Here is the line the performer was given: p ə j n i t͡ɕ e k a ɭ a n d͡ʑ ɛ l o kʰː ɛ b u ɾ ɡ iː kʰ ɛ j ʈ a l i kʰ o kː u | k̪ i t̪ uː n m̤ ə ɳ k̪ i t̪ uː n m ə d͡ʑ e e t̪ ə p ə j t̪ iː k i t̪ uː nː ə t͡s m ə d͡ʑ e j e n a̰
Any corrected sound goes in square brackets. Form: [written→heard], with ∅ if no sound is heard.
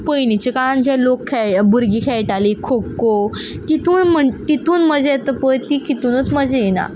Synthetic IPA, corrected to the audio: p ə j n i t͡ɕ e k a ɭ a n d͡ʑ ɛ l o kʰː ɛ b u ɾ ɡ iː kʰ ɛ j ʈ a l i kʰ o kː [u→o] | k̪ i t̪ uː n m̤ ə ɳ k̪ i t̪ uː n m ə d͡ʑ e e t̪ ə p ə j t̪ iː k i t̪ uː [nː→n] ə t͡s m ə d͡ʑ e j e n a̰